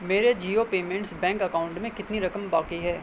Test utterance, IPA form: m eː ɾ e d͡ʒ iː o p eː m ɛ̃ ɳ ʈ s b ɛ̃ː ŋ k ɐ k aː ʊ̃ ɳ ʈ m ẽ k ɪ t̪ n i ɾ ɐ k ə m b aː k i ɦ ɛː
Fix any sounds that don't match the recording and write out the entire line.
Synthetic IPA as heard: m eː ɾ e d͡ʒ iː o p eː m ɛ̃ ɳ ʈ s b ɛ̃ː ŋ k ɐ k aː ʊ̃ ɳ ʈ m ẽ k ɪ t̪ n i ɾ ɐ k ə m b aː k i ɦ ɛː